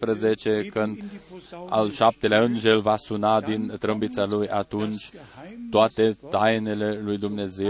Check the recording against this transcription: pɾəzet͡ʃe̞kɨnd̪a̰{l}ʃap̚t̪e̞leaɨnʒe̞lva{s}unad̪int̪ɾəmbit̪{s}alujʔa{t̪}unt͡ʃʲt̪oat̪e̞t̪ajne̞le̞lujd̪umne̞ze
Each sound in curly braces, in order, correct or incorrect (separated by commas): correct, correct, correct, correct